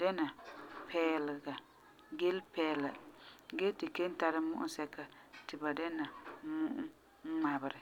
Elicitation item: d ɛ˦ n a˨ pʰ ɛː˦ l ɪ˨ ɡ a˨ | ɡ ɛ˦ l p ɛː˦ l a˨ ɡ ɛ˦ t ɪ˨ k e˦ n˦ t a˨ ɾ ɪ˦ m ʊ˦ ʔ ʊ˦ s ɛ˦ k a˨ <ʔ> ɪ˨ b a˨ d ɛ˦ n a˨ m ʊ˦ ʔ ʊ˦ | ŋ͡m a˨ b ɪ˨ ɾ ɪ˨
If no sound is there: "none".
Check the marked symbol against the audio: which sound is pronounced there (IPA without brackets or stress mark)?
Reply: t